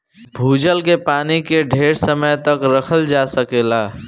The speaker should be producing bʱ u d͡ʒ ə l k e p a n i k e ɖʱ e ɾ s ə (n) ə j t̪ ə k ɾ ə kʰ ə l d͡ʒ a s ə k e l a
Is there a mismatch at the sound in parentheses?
yes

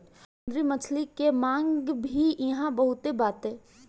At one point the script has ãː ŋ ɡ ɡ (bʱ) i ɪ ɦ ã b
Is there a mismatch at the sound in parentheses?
no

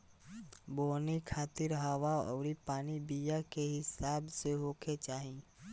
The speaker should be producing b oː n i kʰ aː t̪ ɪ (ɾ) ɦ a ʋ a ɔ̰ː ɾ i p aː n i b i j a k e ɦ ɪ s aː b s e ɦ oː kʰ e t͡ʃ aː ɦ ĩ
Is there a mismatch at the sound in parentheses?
no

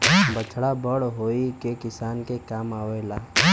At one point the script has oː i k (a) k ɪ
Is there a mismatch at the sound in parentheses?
yes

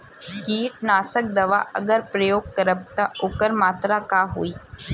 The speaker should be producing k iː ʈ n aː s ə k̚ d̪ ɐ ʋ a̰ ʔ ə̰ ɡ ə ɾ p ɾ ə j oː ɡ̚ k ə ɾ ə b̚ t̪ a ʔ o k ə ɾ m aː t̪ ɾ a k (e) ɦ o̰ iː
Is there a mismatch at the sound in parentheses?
yes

